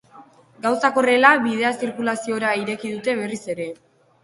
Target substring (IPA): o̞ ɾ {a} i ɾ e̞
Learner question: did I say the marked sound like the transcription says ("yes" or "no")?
yes